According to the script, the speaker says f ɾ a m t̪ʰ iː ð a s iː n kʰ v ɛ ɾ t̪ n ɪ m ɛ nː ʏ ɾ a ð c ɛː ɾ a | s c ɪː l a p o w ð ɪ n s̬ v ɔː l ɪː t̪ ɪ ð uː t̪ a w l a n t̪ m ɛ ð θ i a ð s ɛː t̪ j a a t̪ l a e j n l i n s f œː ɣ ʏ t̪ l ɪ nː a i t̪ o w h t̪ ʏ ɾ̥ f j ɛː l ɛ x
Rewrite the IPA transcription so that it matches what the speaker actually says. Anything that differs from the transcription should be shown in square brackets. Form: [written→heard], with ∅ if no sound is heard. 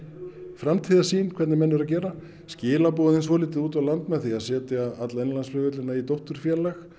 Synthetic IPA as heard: f ɾ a m t̪ʰ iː ð a s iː n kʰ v ɛ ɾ t̪ n ɪ m ɛ nː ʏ ɾ a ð c ɛː ɾ a | s c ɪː l a p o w ð ɪ n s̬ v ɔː l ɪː t̪ ɪ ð uː t̪ a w l a n t̪ m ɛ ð θ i a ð s ɛː t̪ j a a t̪ l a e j n l [i→a] n s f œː ɣ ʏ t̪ l ɪ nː a i t̪ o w h t̪ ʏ ɾ̥ f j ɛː l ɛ x